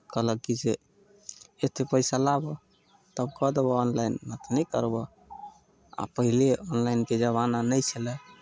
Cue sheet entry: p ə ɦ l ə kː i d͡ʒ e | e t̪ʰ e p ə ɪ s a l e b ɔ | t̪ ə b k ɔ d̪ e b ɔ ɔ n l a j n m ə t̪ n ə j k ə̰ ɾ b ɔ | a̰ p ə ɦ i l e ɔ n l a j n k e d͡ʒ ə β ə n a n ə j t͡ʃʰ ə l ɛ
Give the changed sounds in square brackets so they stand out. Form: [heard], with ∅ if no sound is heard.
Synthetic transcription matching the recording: [k] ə ɦ l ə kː i d͡ʒ e | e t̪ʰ e p ə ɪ s a l [a] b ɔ | t̪ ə b k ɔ d̪ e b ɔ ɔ n l a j n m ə t̪ n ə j k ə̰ ɾ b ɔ | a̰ p ə ɦ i l e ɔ n l a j n k e d͡ʒ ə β [a] n a n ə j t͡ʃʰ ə l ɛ